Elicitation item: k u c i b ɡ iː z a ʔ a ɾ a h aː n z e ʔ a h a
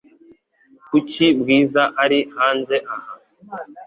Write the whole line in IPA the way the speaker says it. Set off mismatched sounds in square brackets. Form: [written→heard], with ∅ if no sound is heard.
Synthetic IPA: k u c i b ɡ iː z a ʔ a ɾ [a→i] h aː n z e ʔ a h a